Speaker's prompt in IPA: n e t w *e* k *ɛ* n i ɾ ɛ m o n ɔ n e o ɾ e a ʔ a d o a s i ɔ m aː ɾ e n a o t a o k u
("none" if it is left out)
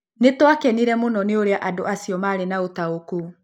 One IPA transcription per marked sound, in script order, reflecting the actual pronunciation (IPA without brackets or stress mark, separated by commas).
a, ɛ